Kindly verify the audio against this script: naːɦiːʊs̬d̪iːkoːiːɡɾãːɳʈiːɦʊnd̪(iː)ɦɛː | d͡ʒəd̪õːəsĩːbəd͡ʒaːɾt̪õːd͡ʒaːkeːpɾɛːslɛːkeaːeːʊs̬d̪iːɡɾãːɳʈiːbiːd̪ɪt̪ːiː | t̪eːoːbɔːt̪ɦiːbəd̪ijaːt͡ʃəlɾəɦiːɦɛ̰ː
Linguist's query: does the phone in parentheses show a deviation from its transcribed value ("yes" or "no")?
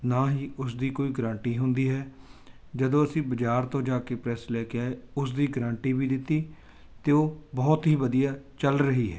no